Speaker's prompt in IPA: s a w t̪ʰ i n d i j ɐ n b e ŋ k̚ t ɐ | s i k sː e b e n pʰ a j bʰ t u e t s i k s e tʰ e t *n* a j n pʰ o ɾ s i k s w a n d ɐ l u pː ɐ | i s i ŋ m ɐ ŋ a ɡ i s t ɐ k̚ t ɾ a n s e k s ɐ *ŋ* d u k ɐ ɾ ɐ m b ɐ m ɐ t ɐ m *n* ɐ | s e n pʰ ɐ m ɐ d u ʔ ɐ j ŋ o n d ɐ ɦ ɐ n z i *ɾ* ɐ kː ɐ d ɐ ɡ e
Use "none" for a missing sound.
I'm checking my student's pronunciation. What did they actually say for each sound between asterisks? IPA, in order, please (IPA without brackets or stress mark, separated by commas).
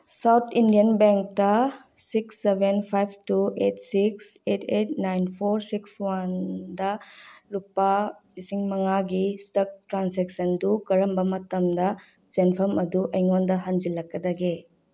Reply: n, n, d, l